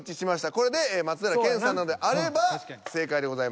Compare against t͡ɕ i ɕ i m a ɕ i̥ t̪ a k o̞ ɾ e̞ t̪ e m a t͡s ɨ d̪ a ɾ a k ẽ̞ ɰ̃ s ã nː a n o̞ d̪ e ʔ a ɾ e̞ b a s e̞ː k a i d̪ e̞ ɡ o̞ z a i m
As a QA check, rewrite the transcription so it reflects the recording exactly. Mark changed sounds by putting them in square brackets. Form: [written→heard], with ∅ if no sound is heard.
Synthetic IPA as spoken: t͡ɕ i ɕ i m a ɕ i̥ t̪ a k o̞ ɾ e̞ [t̪→d̪] e m a t͡s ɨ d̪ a ɾ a k ẽ̞ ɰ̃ s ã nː a n o̞ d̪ e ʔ a ɾ e̞ b a s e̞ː k a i d̪ e̞ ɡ o̞ z a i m

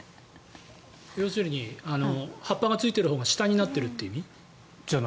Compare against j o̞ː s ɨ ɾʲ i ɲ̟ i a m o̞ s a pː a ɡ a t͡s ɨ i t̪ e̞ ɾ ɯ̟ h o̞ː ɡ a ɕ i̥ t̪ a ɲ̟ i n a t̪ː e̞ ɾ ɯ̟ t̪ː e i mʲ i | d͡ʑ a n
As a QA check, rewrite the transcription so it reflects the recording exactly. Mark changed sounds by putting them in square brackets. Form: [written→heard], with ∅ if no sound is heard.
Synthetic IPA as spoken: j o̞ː s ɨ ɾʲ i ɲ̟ i a [m→n] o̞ [s→h] a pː a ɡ a t͡s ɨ i t̪ e̞ ɾ ɯ̟ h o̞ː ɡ a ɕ i̥ t̪ a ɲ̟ i n a t̪ː e̞ ɾ ɯ̟ t̪ː e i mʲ i | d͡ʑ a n

